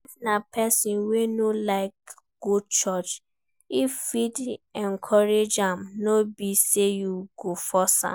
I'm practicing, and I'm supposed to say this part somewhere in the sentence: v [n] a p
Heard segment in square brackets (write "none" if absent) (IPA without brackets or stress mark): n